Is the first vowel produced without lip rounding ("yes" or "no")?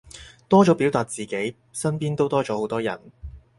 no